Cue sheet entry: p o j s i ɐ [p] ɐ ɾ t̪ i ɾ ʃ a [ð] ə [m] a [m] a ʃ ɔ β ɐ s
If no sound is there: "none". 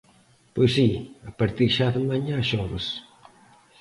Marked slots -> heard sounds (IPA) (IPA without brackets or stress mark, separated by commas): p, ð, m, ɲ